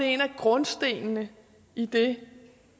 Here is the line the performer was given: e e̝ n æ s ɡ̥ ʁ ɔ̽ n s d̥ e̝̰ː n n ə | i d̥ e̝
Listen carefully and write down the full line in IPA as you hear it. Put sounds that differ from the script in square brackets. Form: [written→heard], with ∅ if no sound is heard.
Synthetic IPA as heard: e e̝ n æ [s→∅] ɡ̥ ʁ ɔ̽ n s d̥ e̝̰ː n n ə | i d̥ e̝